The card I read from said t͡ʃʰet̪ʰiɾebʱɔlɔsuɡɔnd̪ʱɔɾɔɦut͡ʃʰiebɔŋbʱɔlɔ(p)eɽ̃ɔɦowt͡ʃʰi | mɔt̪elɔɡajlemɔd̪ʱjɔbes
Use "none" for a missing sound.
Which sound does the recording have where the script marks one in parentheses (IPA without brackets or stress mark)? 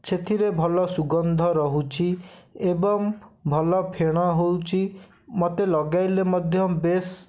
pʰ